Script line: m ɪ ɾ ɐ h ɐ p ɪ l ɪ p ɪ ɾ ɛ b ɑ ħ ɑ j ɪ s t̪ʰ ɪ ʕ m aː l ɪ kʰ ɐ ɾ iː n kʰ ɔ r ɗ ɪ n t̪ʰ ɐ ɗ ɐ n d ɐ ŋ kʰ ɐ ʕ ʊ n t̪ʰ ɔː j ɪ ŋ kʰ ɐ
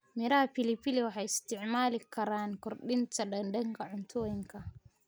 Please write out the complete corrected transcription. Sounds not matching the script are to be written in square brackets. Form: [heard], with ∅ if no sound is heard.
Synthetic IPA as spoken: m ɪ ɾ ɐ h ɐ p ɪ l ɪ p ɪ [l] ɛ [w] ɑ ħ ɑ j ɪ s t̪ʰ ɪ ʕ m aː l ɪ kʰ ɐ ɾ [aː] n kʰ ɔ r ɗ ɪ n t̪ʰ ɐ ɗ ɐ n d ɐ ŋ kʰ ɐ ʕ ʊ n t̪ʰ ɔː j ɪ ŋ kʰ ɐ